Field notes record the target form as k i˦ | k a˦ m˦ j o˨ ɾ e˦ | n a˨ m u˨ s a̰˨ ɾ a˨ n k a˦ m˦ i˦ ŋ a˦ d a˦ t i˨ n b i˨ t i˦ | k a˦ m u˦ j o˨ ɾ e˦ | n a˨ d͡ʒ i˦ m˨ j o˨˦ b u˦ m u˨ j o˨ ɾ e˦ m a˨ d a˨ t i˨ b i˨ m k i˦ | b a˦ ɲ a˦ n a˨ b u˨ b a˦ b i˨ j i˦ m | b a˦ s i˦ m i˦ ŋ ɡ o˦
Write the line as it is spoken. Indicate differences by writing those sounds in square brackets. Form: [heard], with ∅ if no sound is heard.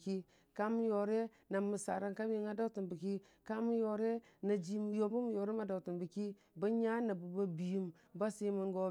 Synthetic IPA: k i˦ | k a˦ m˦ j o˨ ɾ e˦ | n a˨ m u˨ s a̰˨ ɾ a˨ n k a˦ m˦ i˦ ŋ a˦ d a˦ t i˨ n b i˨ [k] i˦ | k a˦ m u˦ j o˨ ɾ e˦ | n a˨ d͡ʒ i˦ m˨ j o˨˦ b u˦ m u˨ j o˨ ɾ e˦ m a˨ d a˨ t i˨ b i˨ [∅] k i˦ | b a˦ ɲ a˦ n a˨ b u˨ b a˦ b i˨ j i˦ m | b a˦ s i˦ m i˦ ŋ ɡ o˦